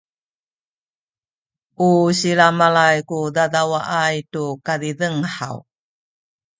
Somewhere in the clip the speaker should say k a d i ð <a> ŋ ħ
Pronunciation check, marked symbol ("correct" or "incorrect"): incorrect